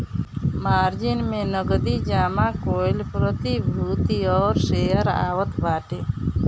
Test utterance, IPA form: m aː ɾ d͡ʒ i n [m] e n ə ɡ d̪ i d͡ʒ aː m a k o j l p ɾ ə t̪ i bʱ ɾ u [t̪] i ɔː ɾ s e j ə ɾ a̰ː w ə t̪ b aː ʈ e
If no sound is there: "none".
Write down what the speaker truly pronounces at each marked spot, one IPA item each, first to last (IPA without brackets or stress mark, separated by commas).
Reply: m, t̪